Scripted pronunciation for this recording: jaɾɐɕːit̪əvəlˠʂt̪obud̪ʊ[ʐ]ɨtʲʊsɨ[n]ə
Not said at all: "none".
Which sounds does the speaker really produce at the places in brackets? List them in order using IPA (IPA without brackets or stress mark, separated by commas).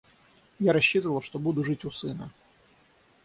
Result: ʐ, n